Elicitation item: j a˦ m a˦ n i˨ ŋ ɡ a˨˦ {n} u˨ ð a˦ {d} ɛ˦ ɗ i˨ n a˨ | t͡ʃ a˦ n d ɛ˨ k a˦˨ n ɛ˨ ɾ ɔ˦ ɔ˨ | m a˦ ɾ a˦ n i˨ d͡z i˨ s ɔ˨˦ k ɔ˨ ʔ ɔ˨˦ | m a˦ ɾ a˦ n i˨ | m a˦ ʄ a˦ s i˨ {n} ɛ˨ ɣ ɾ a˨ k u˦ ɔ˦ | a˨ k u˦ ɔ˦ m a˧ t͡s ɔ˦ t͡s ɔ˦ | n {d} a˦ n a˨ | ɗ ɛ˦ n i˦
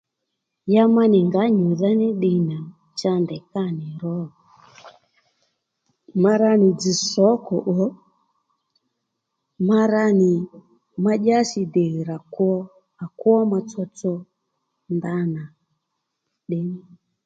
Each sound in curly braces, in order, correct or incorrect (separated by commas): incorrect, incorrect, incorrect, correct